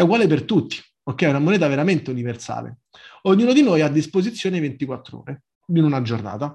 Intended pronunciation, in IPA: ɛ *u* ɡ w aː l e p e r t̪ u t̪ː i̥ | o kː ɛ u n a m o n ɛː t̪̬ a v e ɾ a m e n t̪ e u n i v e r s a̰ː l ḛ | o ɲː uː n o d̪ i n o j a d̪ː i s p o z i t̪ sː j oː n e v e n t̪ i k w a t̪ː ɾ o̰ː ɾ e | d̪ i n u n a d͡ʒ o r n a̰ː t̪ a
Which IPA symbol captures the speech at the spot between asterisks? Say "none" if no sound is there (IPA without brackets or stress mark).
u